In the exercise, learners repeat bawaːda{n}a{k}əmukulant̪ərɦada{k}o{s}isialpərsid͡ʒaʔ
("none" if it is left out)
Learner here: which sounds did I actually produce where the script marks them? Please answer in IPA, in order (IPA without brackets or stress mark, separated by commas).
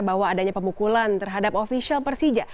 ɲ, p, p, f